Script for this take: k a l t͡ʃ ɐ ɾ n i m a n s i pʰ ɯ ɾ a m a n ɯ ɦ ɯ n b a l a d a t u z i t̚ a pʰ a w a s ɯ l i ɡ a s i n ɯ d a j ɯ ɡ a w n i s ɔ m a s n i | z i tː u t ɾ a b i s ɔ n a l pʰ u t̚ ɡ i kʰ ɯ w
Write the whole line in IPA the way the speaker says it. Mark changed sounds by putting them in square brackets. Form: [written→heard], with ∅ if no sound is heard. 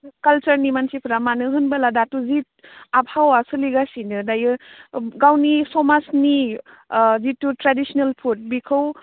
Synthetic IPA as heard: k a l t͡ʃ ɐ ɾ n i m a n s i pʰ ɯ ɾ a m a n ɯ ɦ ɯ n b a l a d a t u z i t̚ a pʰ a w a s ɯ l i ɡ a s i n ɯ d a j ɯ ɡ a w n i s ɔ m a s n i | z i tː u t ɾ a [b→d] i s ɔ n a l pʰ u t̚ [ɡ→b] i kʰ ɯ w